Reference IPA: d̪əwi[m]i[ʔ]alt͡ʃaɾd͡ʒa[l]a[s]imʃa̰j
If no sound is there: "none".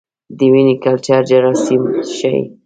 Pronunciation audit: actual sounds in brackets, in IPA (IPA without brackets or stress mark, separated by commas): n, k, ɾ, s